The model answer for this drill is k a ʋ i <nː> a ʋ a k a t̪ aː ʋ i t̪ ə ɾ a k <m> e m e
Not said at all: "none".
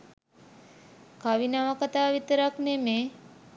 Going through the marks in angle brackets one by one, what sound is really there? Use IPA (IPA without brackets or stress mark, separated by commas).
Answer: n, n